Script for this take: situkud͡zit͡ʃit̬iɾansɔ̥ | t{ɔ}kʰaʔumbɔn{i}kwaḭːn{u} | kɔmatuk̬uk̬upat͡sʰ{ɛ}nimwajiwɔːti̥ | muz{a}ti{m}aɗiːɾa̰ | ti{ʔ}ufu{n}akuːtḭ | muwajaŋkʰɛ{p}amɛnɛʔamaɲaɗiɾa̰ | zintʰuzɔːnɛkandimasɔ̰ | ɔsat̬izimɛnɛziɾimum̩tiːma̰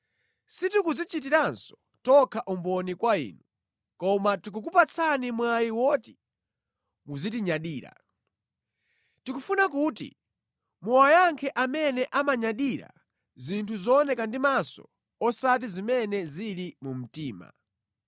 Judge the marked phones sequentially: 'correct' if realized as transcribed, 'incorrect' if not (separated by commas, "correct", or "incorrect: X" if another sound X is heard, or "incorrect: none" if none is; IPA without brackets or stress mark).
correct, correct, correct, incorrect: a, incorrect: i, incorrect: ɲ, incorrect: k, correct, incorrect: ʔ